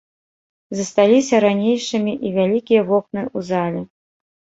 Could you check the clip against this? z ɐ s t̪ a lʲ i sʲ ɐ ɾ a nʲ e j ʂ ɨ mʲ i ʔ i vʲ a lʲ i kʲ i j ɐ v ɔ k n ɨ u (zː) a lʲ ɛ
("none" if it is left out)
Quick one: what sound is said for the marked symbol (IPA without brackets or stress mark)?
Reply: z